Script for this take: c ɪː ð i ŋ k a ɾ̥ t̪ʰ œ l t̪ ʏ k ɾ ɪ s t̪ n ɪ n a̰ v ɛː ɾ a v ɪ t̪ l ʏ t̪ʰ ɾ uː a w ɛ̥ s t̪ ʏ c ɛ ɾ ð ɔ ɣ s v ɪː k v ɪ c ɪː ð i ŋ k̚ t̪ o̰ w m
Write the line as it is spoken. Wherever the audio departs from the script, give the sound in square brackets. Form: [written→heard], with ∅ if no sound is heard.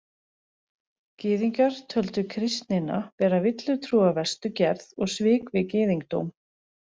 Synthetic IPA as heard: c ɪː ð i ŋ k a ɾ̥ t̪ʰ œ l t̪ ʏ [k→kʰ] ɾ ɪ s t̪ n ɪ n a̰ v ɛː ɾ a v ɪ t̪ l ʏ t̪ʰ ɾ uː a [w→v] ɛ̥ s t̪ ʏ c ɛ ɾ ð ɔ ɣ s v ɪː k v ɪ c ɪː ð i ŋ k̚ t̪ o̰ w m